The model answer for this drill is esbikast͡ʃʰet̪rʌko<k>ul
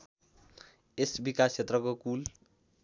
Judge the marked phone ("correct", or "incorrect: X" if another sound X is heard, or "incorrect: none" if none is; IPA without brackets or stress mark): correct